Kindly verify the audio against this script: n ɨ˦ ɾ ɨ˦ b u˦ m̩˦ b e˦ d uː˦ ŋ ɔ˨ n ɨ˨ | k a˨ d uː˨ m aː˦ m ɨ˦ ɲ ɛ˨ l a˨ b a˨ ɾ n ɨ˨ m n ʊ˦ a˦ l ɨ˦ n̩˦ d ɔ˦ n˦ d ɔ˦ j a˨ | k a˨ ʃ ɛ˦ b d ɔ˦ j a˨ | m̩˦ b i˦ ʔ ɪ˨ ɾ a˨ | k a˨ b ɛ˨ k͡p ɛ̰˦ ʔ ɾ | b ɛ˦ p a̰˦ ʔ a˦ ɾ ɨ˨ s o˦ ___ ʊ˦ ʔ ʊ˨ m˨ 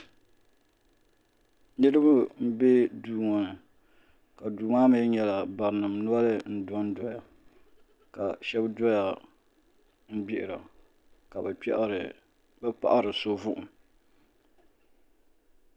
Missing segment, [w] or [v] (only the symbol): v